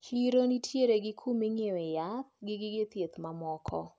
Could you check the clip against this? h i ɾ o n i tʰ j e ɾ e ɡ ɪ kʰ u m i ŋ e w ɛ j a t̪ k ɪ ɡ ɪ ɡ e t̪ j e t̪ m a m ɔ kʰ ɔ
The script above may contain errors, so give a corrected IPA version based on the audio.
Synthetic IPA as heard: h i ɾ o n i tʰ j e ɾ e ɡ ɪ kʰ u m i ŋ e w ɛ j a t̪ ɡ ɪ ɡ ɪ ɡ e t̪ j e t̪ m a m ɔ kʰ ɔ